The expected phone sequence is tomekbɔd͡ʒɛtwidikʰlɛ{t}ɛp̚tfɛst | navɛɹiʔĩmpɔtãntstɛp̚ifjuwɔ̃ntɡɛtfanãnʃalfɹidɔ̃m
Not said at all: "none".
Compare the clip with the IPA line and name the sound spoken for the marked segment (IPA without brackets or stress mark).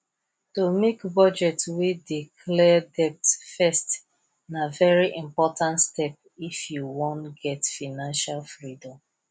d